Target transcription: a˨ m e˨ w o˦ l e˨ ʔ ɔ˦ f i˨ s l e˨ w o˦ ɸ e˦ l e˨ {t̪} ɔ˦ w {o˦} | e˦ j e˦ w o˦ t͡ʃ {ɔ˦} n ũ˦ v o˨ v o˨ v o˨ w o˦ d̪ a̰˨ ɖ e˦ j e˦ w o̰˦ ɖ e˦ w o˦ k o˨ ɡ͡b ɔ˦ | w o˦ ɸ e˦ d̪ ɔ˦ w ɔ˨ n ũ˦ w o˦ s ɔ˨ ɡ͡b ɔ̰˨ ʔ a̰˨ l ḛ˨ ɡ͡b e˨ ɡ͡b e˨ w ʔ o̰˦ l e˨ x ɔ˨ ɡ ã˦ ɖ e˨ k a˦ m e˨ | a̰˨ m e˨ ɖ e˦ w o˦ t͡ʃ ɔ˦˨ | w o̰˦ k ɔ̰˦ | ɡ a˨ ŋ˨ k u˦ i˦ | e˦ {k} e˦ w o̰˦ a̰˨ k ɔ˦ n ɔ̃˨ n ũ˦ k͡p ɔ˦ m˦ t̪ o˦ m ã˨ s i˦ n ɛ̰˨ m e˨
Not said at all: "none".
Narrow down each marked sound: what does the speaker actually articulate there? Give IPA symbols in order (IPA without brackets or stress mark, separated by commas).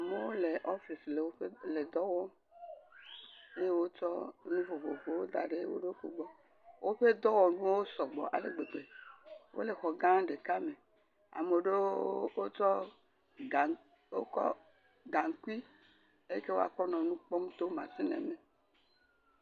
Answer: d̪, ɔ˦, ɔ˦, k